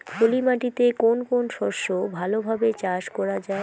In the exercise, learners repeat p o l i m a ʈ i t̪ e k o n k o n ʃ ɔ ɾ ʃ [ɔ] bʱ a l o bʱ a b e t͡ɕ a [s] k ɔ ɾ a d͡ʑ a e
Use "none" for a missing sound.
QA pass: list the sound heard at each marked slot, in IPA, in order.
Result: o, ʃ

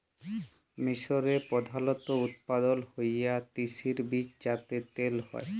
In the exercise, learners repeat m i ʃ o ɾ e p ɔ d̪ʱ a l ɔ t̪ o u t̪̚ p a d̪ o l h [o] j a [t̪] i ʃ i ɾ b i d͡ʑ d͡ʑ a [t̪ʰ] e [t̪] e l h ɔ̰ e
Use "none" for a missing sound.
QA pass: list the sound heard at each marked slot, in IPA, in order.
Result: o, t̪, t̪, t̪

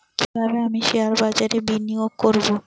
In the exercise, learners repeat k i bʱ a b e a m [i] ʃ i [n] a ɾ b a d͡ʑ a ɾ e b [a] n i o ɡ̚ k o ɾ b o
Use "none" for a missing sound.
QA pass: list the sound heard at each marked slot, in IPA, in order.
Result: i, none, i

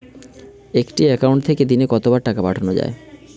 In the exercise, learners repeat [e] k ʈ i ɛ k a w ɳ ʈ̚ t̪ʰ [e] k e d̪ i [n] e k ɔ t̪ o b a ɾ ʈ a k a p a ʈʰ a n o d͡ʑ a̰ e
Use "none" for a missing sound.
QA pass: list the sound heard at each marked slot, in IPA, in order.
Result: e, e, n

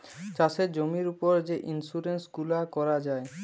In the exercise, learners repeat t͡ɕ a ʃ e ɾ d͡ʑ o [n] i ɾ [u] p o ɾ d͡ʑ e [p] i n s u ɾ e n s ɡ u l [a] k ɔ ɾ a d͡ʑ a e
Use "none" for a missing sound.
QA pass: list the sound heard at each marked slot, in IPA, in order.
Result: m, u, ʔ, a

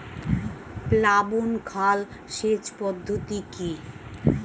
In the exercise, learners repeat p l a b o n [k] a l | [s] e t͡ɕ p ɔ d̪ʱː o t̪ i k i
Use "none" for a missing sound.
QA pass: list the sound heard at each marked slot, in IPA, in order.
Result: kʰ, ʃ

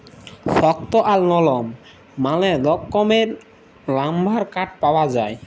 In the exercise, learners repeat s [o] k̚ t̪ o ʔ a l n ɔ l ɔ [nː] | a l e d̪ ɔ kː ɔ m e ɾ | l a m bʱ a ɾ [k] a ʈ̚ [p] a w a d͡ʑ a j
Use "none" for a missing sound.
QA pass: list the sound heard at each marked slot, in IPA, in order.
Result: ɔ, mː, k, p

